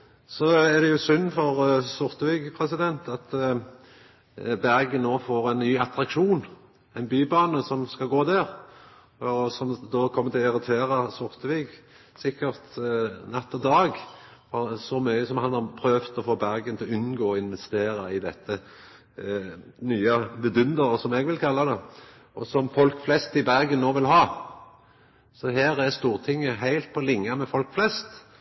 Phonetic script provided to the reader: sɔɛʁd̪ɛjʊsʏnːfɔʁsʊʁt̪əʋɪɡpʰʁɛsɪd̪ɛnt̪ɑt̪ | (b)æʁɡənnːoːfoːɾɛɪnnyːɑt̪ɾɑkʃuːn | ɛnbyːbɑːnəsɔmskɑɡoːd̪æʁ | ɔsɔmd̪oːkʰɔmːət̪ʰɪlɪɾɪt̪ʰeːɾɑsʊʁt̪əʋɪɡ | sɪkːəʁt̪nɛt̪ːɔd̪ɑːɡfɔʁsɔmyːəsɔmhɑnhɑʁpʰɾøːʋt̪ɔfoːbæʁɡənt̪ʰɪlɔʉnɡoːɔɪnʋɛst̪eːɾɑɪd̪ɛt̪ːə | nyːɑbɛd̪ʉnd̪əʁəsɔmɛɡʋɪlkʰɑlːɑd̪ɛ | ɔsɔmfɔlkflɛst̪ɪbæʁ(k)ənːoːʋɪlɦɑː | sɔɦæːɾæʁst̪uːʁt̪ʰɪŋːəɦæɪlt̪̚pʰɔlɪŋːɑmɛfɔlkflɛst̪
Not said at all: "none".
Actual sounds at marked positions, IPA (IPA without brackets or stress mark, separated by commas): b, ɡ